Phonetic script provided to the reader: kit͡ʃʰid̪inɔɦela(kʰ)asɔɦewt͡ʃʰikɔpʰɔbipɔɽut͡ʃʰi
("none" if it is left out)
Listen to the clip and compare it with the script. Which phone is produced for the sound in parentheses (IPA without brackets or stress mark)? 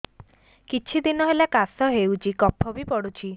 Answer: k